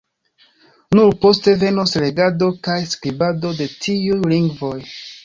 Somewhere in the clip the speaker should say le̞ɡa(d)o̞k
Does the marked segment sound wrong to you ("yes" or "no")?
no